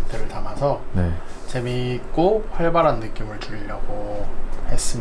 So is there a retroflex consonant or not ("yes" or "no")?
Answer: yes